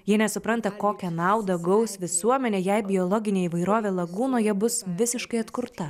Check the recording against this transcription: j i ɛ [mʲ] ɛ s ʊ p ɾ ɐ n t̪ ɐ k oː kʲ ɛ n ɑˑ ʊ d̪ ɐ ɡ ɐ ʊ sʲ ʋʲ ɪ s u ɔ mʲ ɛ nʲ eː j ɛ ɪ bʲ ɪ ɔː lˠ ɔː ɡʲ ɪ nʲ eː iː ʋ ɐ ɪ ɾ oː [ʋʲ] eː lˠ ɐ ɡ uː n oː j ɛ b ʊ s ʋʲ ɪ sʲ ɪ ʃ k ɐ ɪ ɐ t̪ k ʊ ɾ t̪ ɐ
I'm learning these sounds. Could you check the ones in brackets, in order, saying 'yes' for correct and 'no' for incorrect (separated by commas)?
no, yes